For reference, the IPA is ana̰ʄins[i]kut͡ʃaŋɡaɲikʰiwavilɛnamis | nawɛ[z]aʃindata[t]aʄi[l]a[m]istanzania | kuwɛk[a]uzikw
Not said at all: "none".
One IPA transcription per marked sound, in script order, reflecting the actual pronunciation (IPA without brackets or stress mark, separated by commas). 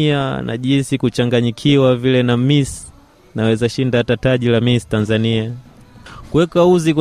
i, z, t, l, m, a